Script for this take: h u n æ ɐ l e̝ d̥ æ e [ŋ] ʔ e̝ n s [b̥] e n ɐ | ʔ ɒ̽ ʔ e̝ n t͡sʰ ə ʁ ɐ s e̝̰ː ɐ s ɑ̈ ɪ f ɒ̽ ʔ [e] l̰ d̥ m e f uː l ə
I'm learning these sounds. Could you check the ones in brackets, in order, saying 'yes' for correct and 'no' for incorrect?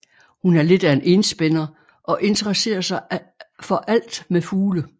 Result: no, yes, no

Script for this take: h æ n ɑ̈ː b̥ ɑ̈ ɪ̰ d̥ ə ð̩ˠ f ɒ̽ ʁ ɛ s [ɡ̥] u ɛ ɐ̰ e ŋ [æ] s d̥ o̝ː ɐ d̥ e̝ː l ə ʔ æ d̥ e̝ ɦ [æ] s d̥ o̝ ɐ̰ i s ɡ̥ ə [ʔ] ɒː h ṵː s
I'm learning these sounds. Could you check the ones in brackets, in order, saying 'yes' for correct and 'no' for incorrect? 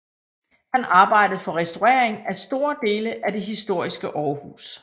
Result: no, yes, no, yes

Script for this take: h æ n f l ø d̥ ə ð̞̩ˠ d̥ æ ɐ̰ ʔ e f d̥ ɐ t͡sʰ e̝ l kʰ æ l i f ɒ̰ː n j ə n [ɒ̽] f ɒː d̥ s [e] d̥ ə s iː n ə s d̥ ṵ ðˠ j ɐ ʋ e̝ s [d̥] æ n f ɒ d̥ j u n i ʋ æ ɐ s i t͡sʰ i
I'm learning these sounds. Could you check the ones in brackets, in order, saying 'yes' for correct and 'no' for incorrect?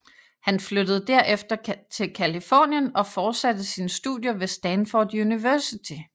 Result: yes, no, yes

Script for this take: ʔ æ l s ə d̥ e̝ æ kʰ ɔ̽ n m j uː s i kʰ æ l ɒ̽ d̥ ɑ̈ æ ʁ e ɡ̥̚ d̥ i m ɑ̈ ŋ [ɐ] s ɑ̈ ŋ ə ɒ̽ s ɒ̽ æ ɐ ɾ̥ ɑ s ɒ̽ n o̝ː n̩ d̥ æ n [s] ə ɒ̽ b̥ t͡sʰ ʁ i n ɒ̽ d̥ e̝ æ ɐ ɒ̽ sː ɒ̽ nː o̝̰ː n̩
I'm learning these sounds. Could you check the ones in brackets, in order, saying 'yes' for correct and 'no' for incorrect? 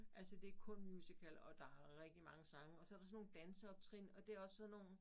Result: no, yes

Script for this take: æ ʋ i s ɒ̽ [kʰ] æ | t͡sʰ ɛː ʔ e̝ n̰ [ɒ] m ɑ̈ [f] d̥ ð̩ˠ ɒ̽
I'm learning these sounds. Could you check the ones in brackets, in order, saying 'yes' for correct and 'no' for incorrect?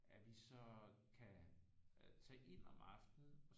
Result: yes, yes, yes

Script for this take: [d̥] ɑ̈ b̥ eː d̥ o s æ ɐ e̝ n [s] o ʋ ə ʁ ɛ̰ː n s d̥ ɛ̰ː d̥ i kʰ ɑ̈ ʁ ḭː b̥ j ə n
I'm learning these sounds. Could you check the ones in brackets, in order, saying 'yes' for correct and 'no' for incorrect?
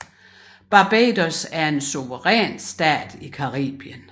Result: no, yes

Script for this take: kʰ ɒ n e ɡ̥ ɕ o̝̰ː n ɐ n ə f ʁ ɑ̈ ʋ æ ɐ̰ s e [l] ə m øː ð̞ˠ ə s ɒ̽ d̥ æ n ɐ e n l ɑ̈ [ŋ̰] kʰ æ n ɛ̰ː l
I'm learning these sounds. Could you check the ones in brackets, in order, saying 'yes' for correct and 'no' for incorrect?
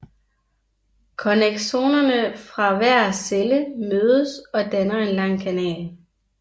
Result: yes, yes

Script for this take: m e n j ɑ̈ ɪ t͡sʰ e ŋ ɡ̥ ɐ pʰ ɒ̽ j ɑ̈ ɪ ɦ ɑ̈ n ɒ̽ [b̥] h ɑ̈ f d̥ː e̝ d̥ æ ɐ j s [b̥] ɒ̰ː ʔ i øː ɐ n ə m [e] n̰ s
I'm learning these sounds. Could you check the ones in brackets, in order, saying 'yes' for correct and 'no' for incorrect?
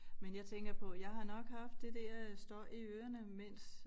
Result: no, no, yes

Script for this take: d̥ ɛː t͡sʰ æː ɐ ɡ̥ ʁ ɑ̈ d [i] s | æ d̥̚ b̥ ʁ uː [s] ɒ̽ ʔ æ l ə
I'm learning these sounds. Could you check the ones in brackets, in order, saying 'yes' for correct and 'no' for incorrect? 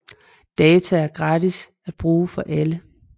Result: yes, no

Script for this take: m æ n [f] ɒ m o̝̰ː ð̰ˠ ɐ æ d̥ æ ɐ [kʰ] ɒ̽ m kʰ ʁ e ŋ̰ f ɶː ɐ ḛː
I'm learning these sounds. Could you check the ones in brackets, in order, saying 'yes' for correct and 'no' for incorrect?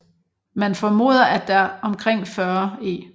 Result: yes, no

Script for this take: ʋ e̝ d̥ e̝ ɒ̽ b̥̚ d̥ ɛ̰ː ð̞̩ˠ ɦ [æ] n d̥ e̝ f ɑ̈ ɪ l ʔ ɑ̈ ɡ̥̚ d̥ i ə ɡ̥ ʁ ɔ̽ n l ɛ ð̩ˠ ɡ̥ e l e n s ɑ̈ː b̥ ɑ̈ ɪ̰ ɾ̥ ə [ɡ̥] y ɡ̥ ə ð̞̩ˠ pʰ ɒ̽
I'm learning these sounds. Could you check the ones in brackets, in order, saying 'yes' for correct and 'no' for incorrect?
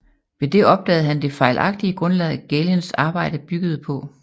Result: yes, no

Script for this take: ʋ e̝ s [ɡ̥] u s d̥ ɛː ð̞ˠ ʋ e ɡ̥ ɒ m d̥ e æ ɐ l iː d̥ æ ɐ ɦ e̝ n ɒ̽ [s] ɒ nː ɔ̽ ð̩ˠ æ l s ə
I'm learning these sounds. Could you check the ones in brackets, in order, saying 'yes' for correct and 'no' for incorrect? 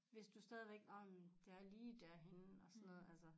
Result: no, yes

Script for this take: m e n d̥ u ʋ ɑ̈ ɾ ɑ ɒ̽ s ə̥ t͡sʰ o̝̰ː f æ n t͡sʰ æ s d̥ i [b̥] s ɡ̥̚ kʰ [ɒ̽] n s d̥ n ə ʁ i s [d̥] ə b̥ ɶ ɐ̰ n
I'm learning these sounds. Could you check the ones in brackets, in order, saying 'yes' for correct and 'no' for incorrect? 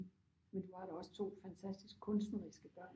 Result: no, no, no

